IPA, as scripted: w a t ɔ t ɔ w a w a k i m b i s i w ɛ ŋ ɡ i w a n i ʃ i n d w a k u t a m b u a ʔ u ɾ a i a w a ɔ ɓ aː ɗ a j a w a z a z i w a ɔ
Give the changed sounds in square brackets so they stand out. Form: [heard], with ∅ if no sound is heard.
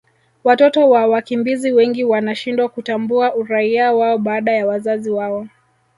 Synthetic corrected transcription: w a t ɔ t ɔ w a w a k i m b i [z] i w ɛ ŋ ɡ i w a n [a] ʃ i n d w a k u t a m b u a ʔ u ɾ a i a w a ɔ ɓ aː ɗ a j a w a z a z i w a ɔ